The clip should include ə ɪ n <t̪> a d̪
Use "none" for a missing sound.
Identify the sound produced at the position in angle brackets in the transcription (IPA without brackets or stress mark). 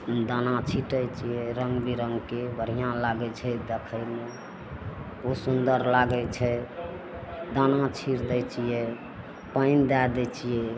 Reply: d̪